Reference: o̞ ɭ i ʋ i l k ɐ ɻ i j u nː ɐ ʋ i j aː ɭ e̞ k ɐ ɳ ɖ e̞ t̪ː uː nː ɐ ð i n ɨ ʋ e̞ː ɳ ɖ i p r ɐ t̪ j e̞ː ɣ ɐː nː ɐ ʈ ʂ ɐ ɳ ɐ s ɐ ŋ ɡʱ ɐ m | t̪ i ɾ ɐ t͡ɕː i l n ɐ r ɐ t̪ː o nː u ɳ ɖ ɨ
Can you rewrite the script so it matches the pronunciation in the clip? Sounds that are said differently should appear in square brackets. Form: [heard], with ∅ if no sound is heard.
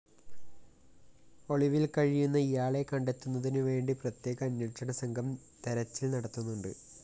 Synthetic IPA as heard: o̞ ɭ i ʋ i l k ɐ ɻ i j u nː ɐ [∅] i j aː ɭ e̞ k ɐ ɳ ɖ e̞ t̪ː [u] nː ɐ ð i n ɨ ʋ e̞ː ɳ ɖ i p r ɐ t̪ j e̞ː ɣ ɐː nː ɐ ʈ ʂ ɐ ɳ ɐ s ɐ ŋ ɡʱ ɐ m | t̪ [e] ɾ ɐ t͡ɕː i l n ɐ [ɽ] ɐ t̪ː [u] nː u ɳ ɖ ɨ